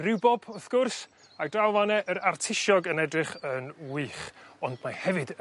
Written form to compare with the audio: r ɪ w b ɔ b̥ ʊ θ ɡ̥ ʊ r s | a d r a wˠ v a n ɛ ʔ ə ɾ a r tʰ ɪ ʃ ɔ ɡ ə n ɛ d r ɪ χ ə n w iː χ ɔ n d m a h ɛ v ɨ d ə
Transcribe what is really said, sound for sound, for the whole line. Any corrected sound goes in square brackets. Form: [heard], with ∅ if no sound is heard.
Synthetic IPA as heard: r ɪ w b ɔ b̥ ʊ θ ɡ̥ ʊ r s | a d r a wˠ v a n ɛ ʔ ə ɾ a r tʰ ɪ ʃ ɔ ɡ ə n ɛ d r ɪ χ ə n w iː χ ɔ n d m a h ɛ v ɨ d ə